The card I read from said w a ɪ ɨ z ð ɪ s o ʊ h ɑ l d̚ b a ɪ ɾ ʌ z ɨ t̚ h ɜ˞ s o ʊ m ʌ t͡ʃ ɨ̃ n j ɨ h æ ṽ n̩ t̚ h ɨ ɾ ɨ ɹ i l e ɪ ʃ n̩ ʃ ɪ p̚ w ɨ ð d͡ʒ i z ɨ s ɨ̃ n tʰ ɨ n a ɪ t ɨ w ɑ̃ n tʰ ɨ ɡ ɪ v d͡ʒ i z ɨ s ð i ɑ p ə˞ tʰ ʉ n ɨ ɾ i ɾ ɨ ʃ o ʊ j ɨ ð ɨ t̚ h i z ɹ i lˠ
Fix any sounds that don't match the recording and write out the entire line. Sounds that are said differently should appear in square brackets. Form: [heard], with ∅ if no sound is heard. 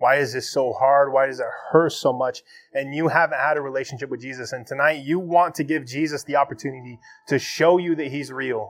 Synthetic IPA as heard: w a ɪ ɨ z ð ɪ s o ʊ h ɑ [ɹ] d̚ [w] a ɪ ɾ ʌ z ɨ t̚ h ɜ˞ s o ʊ m ʌ t͡ʃ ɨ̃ n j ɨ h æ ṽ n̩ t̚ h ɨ ɾ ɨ ɹ i l e ɪ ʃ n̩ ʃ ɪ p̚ w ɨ ð d͡ʒ i z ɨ s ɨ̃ n tʰ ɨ n a ɪ t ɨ w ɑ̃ n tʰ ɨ ɡ ɪ v d͡ʒ i z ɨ s ð i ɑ p ə˞ tʰ ʉ n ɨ ɾ i ɾ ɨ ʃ o ʊ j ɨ ð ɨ t̚ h i z ɹ i lˠ